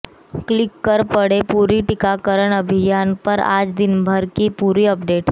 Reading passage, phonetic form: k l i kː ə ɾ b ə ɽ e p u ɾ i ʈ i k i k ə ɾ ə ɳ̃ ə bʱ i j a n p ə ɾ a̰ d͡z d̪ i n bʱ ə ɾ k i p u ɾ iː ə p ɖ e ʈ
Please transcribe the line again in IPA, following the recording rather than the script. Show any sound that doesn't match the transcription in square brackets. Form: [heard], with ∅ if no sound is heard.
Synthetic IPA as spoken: k l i kː ə ɾ [p] ə ɽ e p u ɾ i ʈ i k [a] k ə ɾ ə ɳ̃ ə bʱ i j a n p ə ɾ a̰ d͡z d̪ i n bʱ ə ɾ k i p u ɾ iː ə p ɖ e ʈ